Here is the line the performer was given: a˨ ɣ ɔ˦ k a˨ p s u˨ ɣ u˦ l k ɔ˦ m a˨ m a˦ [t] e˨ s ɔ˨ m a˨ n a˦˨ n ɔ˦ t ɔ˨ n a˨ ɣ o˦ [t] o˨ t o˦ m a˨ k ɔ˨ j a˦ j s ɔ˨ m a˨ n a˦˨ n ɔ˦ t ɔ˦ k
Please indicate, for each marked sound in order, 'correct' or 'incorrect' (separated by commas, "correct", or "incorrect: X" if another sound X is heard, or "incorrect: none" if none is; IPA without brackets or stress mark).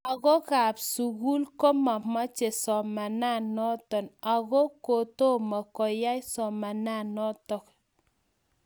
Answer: incorrect: t͡ʃ, incorrect: k